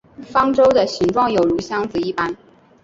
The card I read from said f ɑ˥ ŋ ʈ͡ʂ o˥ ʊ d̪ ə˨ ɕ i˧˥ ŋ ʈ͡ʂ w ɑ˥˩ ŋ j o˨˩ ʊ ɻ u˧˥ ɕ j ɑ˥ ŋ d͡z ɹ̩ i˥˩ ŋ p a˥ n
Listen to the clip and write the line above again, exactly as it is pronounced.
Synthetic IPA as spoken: f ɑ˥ ŋ ʈ͡ʂ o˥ ʊ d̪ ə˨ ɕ i˧˥ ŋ ʈ͡ʂ w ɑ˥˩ ŋ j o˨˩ ʊ ɻ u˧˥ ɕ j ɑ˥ ŋ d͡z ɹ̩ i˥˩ p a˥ n